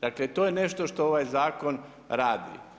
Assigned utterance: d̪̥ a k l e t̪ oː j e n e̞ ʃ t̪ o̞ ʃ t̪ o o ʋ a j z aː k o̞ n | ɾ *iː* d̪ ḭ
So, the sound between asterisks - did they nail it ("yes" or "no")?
no